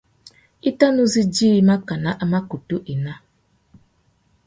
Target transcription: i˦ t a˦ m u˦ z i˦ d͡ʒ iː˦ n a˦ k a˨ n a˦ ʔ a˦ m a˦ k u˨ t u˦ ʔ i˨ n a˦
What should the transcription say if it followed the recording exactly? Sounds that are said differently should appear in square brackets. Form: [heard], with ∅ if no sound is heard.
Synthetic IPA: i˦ t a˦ [n] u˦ z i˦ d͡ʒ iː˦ [m] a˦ k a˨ n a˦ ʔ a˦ m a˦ k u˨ t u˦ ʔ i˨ n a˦

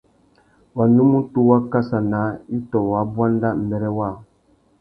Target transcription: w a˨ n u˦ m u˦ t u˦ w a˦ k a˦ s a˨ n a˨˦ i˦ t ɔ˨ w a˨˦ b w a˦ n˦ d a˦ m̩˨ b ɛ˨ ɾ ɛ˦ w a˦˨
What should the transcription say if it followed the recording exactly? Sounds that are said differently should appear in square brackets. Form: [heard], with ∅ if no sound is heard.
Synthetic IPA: w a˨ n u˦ m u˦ t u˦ w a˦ k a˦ s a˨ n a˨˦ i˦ t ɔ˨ w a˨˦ b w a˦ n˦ d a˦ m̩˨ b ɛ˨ ɾ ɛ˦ w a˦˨

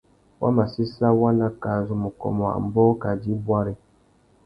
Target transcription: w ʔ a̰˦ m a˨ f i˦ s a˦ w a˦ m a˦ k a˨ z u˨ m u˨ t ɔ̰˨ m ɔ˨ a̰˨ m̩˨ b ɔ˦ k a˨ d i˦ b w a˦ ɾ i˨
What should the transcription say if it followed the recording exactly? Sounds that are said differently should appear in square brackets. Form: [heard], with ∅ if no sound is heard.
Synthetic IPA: w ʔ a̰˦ m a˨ [s] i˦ s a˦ w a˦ [n] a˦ k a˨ z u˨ m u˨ [k] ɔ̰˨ m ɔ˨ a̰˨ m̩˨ b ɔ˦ k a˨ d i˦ b w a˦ ɾ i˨

